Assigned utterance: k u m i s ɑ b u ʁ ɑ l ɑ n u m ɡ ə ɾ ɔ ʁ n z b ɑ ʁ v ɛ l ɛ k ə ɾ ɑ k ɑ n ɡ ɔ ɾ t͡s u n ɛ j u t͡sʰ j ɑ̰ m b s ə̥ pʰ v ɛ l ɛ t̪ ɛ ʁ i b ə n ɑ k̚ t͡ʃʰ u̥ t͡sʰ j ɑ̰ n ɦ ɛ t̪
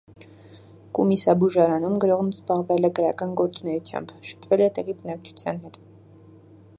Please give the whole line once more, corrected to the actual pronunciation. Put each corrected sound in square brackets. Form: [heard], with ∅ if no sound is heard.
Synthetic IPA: k u m i s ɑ b u [ʒ] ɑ [ɾ] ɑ n u m ɡ ə ɾ ɔ ʁ n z b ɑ ʁ v ɛ l ɛ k ə ɾ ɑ k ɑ n ɡ ɔ ɾ t͡s u n ɛ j u t͡sʰ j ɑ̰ m b [ʃ] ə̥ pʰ v ɛ l ɛ t̪ ɛ ʁ i b ə n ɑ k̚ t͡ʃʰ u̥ t͡sʰ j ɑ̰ n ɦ ɛ t̪